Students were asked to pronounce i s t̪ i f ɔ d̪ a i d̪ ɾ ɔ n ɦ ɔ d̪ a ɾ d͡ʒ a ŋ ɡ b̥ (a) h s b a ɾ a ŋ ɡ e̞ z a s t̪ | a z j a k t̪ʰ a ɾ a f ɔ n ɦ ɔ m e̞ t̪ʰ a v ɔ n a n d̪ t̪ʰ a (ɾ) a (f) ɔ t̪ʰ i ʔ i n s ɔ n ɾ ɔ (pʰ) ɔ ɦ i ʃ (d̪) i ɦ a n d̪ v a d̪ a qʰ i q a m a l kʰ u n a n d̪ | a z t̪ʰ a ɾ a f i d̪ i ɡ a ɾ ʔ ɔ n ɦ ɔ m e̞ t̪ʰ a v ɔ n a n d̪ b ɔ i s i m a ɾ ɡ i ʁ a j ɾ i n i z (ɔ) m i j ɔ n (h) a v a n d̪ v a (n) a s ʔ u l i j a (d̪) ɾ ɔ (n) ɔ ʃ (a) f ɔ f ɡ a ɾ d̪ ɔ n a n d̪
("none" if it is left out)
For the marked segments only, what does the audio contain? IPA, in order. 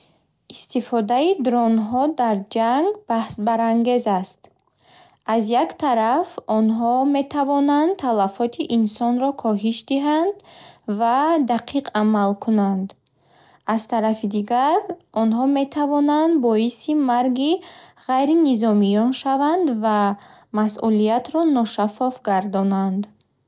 a, l, f, kʰ, d̪, ɔ, ʃ, m, t̪, n, a

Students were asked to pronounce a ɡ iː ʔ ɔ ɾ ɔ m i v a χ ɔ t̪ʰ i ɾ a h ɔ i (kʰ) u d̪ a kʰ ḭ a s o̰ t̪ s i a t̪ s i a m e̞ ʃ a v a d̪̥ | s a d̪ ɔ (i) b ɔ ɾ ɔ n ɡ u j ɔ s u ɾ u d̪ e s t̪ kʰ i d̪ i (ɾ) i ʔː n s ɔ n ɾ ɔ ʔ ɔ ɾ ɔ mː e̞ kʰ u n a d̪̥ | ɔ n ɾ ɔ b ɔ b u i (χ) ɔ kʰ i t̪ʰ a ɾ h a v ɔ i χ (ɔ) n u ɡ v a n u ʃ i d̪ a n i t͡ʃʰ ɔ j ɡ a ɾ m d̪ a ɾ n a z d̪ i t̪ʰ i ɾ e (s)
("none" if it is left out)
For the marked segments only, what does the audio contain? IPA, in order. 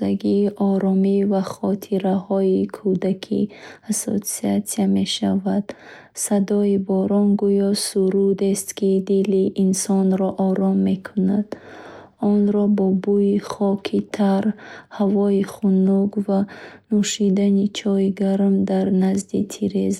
kʰ, i, l, χ, u, z

